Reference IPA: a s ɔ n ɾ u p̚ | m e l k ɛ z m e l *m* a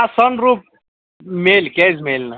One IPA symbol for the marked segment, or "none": n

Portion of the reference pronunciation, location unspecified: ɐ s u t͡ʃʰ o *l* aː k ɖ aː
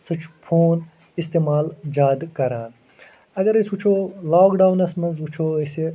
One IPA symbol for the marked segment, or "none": l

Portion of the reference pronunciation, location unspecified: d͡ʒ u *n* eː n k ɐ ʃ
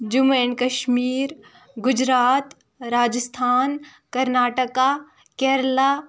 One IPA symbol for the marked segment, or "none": m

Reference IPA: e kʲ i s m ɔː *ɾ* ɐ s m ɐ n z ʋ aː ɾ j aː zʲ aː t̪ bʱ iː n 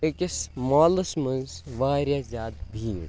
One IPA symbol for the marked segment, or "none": l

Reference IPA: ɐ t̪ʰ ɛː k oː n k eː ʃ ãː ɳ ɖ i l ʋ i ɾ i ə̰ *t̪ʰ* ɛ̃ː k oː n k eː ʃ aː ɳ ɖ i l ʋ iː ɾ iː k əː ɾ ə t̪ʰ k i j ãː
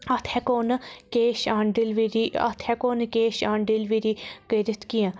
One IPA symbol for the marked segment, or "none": t̪ʰ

